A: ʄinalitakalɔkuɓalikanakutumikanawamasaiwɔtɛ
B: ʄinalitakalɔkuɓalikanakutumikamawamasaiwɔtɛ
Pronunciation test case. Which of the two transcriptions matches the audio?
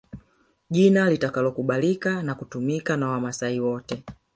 A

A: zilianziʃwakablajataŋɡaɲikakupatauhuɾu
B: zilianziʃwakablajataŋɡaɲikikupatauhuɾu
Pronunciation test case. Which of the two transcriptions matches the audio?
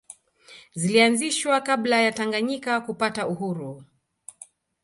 A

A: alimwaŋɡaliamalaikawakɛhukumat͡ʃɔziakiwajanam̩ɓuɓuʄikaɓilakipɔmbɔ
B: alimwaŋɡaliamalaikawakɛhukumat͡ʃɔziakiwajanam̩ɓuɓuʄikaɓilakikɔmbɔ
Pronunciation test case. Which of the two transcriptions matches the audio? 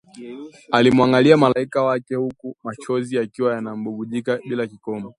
B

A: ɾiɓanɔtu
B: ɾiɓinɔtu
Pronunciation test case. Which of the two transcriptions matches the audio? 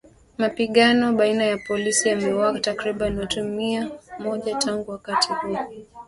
A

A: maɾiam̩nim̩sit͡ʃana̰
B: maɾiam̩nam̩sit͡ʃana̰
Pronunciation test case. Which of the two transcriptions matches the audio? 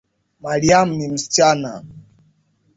A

